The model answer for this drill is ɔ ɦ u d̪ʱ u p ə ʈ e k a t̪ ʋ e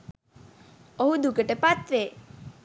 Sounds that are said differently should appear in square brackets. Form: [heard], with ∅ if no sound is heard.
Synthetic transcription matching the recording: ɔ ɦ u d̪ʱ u [k] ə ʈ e [p] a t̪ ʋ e